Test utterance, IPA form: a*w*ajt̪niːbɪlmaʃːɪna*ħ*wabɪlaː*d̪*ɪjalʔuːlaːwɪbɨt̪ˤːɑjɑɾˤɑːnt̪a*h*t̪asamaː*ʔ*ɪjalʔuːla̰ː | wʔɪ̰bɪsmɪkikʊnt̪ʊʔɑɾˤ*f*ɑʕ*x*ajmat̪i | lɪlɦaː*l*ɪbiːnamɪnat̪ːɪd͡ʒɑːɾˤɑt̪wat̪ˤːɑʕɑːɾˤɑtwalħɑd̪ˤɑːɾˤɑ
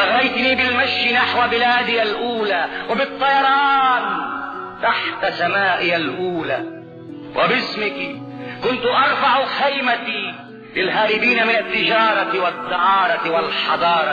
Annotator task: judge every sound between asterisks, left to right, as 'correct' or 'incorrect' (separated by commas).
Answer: incorrect, correct, correct, incorrect, correct, correct, correct, incorrect